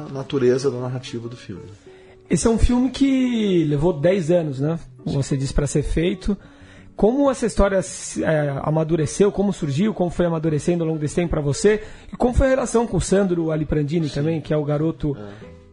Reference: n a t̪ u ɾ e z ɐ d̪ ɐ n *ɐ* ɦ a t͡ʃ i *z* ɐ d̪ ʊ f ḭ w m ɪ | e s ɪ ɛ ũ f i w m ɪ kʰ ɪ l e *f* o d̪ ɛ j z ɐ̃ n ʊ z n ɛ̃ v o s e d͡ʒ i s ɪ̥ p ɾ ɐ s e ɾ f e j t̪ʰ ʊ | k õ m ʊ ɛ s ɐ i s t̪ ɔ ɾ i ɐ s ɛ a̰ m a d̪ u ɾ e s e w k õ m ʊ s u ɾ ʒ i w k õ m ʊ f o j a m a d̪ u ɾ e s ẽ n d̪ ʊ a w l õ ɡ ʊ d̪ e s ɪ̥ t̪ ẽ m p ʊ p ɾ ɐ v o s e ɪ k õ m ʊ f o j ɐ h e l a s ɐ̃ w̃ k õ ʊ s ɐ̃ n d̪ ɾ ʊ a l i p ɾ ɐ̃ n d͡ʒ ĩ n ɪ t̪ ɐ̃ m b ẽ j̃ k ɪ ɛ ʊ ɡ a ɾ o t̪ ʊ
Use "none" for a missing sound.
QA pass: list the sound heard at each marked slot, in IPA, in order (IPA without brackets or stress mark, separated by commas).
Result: a, v, v